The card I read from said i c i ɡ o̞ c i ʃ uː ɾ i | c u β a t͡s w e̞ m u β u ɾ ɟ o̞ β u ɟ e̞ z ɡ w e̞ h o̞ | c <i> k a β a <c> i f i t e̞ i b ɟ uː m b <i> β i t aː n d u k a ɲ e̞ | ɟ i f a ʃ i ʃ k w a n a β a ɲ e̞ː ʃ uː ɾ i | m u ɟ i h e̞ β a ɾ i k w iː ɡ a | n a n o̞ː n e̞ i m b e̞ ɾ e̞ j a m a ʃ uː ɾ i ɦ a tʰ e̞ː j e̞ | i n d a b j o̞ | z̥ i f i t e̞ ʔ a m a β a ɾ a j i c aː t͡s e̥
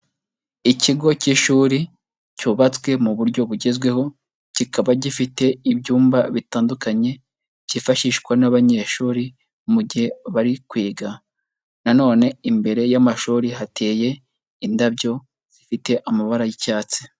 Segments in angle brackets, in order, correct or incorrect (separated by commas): correct, incorrect, incorrect